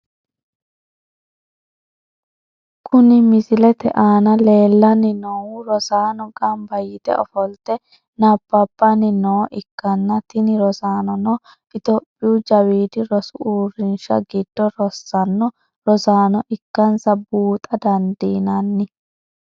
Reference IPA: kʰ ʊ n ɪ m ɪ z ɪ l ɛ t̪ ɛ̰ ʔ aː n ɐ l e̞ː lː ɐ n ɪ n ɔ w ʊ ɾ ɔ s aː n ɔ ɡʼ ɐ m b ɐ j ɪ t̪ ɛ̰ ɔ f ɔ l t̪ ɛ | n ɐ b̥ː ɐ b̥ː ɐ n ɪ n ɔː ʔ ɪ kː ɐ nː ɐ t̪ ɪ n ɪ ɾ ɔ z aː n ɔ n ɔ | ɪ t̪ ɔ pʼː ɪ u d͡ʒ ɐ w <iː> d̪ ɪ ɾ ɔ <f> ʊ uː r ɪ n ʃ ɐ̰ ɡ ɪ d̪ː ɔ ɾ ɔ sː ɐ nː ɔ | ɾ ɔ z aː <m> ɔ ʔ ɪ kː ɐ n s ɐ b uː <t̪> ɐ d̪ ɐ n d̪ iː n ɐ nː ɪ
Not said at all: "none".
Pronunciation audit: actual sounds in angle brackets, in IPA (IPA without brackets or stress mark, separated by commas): iː, s, n, t̪ʼ